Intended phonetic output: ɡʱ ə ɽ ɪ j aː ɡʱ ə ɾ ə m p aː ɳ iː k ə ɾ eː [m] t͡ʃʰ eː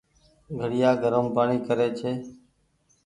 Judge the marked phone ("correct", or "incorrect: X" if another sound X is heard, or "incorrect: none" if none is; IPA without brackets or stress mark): incorrect: none